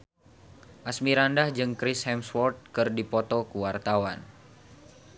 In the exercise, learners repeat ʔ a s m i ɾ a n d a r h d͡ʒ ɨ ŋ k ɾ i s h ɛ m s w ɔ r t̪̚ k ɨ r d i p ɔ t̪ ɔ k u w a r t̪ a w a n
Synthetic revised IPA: ʔ a s m i ɾ a n d a h d͡ʒ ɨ ŋ k ɾ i s h ɛ m s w ɔ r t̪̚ k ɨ r d i p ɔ t̪ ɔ k u w a r t̪ a w a n